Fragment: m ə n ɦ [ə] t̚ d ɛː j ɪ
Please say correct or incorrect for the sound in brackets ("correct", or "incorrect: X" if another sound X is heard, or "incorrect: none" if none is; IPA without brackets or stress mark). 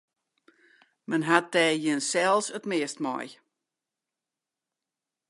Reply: incorrect: a